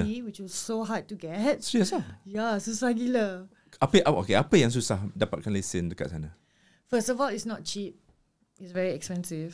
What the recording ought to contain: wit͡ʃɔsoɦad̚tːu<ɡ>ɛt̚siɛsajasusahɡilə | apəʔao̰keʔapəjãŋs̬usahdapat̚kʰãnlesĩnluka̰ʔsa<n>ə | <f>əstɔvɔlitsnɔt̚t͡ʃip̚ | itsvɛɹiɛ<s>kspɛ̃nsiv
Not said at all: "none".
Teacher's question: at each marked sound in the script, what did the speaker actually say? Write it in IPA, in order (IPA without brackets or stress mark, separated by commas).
ɡ, n, f, none